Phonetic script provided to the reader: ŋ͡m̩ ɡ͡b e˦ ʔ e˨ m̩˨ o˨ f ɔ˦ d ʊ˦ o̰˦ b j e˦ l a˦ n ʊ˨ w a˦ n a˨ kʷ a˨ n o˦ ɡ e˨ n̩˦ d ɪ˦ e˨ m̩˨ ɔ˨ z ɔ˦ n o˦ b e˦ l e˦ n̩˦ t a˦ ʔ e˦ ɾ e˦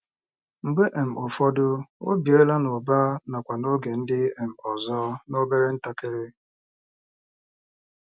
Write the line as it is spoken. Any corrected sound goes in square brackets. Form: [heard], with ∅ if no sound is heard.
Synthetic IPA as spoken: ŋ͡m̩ ɡ͡b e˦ ʔ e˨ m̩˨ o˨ f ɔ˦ d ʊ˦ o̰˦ b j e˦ l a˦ n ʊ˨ [b] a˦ n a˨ kʷ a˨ n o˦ ɡ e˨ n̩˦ d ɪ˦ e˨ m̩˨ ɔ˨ z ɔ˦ n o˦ b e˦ [ɾ] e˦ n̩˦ t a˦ [k] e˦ ɾ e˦